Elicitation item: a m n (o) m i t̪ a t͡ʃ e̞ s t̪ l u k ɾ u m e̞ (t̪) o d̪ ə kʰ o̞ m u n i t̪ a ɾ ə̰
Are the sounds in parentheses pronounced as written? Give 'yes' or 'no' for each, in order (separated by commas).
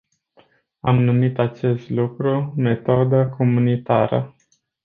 no, yes